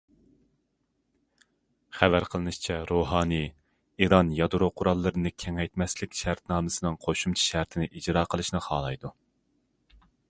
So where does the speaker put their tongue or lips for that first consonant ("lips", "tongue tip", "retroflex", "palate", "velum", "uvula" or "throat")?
uvula